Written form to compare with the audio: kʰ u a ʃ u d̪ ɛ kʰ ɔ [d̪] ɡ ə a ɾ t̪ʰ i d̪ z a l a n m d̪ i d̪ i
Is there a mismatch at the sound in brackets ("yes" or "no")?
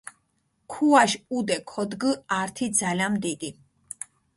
no